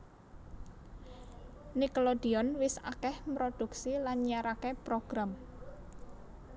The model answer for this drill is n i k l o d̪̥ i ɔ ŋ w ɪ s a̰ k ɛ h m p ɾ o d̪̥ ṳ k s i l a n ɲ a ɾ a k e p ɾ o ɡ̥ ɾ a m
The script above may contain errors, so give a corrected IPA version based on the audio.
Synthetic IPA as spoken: n i k l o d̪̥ i ɔ n w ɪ s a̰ k ɛ h m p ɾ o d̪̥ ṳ k s i l a n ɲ a ɾ a k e p ɾ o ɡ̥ ɾ a m